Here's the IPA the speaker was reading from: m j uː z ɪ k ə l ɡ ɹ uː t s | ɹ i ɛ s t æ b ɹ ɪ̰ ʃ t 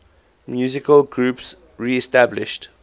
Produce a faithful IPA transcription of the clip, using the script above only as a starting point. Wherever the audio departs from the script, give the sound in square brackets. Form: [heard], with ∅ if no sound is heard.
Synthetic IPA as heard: m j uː z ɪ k ə l ɡ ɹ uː [p] s | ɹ i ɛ s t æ b [l] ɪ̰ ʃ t

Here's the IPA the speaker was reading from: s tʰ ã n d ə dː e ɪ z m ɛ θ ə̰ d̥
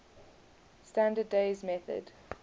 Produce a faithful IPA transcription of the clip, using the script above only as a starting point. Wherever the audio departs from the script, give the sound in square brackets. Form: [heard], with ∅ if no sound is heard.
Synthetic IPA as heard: s [t] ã n d ə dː e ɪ z m ɛ θ ə̰ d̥

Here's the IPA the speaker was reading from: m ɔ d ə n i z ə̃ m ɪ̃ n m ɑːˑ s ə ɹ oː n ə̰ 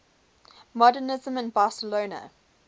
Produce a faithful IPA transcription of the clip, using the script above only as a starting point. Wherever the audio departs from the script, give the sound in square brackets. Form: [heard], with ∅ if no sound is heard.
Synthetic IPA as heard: m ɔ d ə n [ɪ] z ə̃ m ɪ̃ n [b] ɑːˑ s ə [l] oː n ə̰

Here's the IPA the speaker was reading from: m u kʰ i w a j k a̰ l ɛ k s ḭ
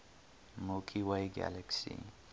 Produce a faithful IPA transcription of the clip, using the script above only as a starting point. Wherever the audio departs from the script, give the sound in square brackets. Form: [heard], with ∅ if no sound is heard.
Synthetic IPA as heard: m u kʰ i w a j [ɡ] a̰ l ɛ k s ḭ

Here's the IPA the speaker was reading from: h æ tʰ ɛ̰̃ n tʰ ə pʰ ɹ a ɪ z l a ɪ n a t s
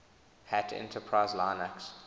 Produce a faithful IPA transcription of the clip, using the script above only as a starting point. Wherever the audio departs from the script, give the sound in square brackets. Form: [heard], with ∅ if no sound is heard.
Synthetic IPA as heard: h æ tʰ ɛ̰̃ n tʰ ə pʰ ɹ a ɪ z l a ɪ n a [k] s

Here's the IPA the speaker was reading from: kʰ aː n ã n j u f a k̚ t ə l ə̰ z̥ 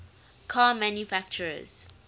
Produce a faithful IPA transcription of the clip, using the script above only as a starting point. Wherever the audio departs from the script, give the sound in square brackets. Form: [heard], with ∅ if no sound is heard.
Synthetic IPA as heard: kʰ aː [m] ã n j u f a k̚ [t͡ʃ] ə [ɹ] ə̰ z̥

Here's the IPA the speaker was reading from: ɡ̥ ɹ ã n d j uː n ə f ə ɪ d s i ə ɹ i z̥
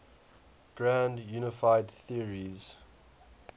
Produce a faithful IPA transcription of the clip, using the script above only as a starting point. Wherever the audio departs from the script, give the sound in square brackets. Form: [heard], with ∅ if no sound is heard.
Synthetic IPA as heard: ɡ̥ ɹ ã n d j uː n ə f [a] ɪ d [θ] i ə ɹ i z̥

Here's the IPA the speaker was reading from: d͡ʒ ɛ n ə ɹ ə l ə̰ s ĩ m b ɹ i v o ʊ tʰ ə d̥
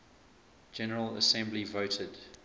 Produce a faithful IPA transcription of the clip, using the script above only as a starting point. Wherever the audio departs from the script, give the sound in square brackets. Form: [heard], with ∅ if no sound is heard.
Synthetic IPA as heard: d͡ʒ ɛ n ə ɹ ə l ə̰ s [ɛ̃] m b [l] i v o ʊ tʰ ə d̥

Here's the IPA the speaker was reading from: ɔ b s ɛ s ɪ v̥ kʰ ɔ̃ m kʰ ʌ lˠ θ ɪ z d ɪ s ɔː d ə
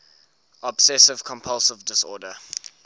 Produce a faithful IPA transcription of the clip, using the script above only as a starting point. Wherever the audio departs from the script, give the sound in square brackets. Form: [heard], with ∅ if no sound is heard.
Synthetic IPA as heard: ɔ b s ɛ s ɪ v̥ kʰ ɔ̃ m [pʰ] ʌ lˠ [s] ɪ [v] d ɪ s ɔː d ə

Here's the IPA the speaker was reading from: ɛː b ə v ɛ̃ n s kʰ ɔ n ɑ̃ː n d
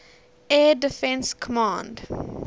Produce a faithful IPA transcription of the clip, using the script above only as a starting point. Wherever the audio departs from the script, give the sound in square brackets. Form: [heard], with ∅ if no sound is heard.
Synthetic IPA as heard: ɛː [d] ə [f] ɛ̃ n s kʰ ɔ [m] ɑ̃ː n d

